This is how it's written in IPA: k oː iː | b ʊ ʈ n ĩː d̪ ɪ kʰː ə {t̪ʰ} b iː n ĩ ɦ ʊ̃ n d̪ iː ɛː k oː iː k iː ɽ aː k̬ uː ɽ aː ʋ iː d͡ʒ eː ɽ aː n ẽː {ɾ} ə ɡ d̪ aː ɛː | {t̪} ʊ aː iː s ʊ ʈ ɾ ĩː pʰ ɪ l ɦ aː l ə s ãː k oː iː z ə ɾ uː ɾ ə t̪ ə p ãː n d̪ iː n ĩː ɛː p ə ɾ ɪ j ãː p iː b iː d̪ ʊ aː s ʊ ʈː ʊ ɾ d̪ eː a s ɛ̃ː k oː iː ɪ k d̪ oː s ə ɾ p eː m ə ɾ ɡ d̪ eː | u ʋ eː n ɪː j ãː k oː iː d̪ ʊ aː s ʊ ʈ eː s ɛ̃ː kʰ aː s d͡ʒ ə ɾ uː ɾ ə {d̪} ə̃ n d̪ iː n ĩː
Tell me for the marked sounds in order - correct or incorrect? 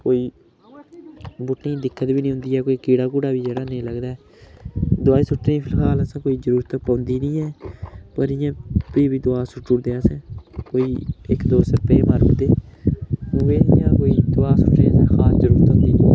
incorrect, incorrect, incorrect, incorrect

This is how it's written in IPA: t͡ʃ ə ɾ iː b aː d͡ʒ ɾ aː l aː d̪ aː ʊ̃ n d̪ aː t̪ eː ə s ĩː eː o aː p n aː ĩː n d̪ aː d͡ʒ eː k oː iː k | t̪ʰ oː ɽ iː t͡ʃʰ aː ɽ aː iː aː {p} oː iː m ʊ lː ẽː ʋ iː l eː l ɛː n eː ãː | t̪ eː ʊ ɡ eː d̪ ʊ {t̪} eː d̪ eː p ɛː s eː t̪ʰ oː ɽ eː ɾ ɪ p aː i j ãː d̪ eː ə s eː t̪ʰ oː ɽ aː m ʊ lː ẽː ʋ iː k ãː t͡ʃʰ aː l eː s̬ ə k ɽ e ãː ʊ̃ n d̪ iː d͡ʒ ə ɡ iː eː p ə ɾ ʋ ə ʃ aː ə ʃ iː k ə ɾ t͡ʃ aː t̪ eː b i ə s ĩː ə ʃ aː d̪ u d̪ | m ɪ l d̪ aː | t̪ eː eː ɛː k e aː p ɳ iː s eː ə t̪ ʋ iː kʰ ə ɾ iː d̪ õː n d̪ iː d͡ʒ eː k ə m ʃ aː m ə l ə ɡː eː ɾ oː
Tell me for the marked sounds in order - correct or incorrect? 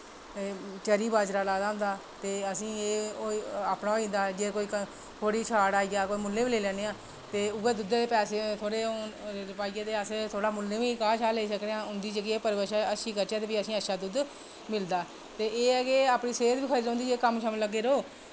incorrect, incorrect

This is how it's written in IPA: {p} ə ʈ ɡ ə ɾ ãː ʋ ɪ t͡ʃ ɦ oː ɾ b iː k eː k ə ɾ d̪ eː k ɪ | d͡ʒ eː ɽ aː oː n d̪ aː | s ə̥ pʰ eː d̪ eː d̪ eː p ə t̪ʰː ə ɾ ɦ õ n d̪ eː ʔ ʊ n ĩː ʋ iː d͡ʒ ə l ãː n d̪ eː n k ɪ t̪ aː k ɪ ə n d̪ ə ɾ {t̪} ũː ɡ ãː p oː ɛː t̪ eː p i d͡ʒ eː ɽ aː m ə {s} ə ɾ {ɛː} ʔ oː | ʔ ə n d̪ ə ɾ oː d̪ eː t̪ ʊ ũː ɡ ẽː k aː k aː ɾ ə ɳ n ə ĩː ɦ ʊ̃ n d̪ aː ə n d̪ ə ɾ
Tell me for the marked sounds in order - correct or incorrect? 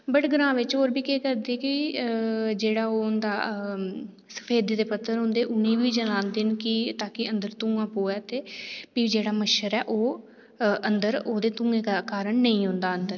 incorrect, correct, incorrect, correct

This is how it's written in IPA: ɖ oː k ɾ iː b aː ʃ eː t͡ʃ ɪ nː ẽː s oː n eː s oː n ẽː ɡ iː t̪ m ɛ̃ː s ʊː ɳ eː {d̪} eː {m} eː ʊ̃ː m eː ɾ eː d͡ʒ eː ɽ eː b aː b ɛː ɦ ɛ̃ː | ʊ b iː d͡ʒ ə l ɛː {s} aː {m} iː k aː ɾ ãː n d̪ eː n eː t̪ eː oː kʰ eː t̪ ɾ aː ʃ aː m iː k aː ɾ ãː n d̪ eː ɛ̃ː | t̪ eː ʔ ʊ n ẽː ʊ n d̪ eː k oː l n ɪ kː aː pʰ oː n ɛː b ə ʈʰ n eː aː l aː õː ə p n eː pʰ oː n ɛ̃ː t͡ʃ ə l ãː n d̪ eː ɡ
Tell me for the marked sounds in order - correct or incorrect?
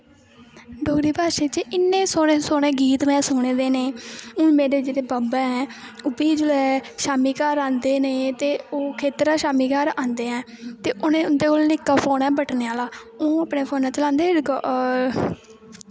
correct, incorrect, incorrect, correct

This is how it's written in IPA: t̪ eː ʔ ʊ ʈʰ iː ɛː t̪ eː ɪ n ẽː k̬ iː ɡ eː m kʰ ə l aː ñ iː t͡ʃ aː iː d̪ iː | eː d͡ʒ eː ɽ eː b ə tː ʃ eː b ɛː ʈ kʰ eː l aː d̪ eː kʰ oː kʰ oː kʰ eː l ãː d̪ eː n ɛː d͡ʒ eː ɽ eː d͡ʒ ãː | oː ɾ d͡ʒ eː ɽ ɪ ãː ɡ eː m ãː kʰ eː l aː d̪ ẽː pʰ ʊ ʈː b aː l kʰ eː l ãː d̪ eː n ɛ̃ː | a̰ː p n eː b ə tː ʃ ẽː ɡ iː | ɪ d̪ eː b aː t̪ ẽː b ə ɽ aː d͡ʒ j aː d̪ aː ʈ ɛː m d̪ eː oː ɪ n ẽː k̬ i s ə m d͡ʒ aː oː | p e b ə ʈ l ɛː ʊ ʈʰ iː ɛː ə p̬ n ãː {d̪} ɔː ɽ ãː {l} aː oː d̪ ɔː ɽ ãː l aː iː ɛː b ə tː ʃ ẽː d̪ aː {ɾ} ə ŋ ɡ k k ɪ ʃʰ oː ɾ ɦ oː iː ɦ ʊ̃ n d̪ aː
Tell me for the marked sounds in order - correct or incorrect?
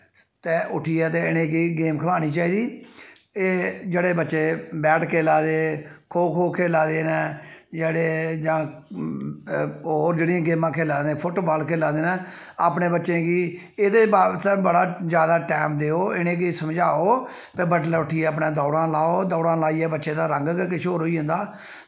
correct, correct, correct

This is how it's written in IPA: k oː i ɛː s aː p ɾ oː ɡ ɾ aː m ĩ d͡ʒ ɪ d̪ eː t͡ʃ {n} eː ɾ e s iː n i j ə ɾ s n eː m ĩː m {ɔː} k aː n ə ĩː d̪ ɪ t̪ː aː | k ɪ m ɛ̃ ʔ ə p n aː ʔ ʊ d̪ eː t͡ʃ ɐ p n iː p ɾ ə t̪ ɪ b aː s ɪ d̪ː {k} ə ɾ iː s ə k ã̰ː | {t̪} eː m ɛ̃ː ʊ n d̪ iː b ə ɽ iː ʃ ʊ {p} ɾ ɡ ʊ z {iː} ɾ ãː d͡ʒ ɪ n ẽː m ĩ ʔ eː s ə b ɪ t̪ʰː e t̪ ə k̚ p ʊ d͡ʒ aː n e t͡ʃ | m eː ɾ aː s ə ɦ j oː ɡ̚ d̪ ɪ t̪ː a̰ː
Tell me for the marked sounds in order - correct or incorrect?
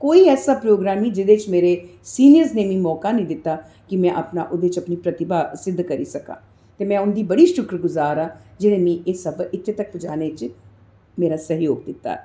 incorrect, correct, correct, correct, incorrect, incorrect

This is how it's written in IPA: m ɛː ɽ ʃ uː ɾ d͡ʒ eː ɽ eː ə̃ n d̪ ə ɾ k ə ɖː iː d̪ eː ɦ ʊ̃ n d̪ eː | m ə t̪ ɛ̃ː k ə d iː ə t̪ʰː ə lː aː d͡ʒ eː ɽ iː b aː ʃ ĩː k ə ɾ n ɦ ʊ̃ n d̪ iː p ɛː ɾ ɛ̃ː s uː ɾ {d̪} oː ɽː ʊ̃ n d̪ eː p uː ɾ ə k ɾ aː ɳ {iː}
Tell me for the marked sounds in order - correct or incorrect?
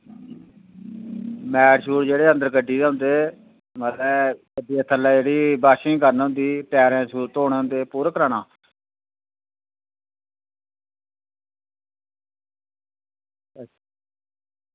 incorrect, incorrect

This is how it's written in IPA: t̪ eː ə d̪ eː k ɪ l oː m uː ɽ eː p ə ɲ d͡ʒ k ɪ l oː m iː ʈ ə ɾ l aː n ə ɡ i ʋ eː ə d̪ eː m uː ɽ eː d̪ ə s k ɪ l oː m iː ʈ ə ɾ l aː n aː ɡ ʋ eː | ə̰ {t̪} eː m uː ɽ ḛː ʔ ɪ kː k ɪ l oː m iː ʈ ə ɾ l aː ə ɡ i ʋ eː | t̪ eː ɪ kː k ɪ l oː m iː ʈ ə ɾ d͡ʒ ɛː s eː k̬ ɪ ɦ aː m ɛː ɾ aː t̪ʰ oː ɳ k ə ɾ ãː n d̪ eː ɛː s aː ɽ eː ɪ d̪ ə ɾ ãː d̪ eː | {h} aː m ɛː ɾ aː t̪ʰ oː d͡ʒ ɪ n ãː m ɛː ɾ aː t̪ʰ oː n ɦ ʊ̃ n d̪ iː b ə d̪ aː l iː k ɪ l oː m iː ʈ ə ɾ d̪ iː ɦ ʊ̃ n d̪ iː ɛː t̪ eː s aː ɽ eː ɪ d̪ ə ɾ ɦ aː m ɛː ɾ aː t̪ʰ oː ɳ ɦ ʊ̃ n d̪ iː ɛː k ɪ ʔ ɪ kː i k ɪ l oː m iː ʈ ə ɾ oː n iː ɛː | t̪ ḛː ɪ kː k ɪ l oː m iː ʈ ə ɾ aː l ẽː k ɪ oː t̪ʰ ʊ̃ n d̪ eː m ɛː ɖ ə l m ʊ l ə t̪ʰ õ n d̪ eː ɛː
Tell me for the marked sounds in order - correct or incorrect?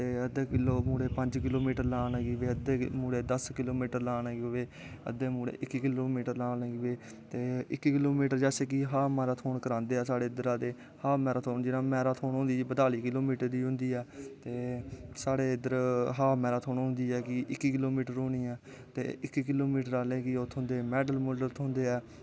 incorrect, correct

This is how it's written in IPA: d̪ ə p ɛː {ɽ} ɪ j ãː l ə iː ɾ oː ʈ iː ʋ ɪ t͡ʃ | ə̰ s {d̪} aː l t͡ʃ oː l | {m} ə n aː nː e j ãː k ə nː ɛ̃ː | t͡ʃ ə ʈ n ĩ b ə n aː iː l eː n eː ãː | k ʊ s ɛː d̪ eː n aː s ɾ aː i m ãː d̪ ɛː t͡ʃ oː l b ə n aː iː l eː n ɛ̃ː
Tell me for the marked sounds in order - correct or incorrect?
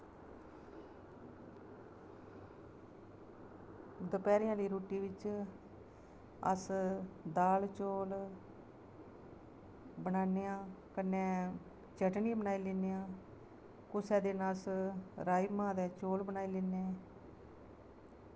incorrect, correct, incorrect

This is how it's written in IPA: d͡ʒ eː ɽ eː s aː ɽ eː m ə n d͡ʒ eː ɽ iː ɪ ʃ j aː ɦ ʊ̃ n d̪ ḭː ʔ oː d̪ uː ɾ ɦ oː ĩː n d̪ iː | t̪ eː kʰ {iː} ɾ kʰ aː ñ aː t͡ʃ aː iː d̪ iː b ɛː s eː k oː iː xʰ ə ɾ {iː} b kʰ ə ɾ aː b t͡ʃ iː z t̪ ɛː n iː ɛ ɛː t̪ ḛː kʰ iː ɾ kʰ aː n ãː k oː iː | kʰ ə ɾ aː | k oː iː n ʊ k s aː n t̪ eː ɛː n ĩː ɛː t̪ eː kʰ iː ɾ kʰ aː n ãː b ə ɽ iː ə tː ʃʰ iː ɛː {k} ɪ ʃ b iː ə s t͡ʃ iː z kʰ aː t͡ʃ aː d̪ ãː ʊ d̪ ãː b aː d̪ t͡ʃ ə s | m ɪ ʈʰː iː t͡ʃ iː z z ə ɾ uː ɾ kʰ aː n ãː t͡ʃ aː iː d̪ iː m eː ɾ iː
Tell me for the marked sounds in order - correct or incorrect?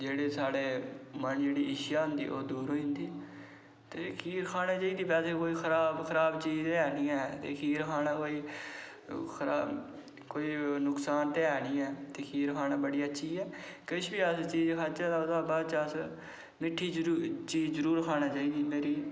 correct, incorrect, correct

